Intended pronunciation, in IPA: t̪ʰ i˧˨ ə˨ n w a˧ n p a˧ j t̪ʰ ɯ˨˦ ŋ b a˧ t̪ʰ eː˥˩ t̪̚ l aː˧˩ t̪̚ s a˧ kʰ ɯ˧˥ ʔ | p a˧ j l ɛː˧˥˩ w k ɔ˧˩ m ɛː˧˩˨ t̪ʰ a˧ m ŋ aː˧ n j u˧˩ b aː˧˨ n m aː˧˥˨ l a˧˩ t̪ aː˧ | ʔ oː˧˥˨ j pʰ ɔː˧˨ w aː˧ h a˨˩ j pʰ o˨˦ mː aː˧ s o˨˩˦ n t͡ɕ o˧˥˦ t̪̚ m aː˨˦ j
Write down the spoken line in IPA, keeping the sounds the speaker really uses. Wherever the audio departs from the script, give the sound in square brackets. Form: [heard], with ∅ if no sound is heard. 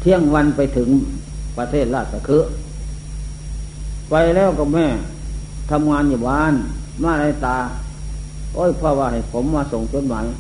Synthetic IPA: t̪ʰ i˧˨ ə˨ [ŋ] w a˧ n p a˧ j t̪ʰ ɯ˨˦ ŋ [p] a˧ t̪ʰ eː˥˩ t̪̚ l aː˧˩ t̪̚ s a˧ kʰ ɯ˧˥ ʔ | p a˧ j l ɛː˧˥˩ w k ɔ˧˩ m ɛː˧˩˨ t̪ʰ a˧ m ŋ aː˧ n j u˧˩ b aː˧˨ n m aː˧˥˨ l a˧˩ t̪ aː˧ | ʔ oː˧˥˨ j pʰ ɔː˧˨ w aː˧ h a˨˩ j pʰ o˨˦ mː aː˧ s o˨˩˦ [ŋ] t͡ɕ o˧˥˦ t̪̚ m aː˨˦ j